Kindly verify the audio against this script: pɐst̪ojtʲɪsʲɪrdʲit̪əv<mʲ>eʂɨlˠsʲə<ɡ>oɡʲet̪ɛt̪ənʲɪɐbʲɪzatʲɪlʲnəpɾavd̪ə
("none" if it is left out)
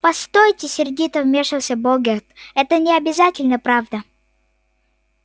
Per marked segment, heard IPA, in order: mʲ, b

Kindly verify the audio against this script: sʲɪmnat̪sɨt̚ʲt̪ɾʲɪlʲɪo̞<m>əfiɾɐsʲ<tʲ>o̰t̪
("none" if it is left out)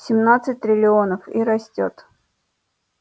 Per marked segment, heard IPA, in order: n, tʲ

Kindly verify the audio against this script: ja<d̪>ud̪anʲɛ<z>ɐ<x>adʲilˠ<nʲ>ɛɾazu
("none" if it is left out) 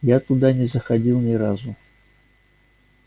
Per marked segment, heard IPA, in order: t̪, z, x, nʲ

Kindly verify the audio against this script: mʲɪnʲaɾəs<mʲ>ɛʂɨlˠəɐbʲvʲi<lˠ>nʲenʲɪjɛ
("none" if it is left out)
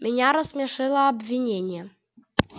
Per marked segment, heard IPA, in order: mʲ, none

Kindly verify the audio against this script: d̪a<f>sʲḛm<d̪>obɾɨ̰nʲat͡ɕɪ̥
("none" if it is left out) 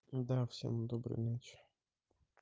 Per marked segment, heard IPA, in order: f, d̪

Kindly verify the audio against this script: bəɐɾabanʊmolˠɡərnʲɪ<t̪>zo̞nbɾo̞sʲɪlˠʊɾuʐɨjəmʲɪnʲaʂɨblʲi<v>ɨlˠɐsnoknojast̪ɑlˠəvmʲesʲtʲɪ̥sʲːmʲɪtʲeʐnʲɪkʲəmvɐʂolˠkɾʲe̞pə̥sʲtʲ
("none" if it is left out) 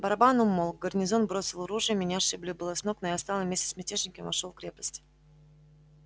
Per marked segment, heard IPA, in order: none, b

